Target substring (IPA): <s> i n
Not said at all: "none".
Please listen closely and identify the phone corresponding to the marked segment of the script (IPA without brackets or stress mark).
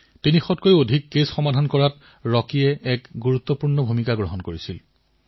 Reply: t